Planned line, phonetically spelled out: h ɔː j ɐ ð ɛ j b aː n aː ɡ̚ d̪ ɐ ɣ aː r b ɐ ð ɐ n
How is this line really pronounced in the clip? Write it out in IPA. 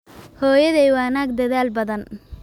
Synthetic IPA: h ɔː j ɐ ð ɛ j w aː n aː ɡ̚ d̪ ɐ ð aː l b ɐ ð ɐ n